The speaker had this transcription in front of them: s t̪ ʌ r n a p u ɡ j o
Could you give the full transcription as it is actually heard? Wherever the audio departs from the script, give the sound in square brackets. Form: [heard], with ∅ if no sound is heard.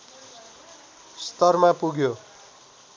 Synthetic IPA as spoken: s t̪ ʌ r [m] a p u ɡ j o